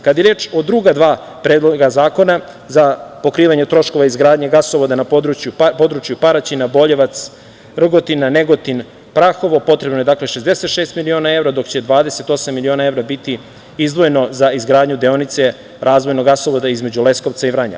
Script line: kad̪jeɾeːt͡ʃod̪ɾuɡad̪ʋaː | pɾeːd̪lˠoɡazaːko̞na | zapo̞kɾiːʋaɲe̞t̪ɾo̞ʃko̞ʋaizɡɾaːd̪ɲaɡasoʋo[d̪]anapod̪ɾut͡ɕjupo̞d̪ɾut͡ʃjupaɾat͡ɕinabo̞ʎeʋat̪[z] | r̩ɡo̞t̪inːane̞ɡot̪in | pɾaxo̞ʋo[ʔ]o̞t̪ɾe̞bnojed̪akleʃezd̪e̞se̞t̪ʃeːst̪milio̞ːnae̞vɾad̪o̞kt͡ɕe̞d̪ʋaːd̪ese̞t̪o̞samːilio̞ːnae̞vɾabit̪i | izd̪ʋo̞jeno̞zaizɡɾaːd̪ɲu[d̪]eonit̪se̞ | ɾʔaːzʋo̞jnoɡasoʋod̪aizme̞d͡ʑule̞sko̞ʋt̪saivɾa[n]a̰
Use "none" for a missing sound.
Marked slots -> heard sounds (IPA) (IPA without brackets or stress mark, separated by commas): d̪, s, p, d̪, ɲ